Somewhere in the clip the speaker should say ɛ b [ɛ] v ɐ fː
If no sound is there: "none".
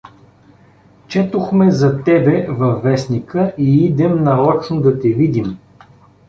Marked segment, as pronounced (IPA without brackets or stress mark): ɛ